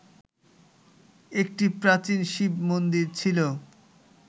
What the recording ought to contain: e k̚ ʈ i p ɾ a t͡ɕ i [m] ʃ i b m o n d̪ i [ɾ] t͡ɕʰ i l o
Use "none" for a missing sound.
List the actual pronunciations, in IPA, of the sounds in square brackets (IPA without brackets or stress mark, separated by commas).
n, ɾ